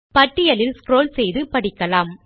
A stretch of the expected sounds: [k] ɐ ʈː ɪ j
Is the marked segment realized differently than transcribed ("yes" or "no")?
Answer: yes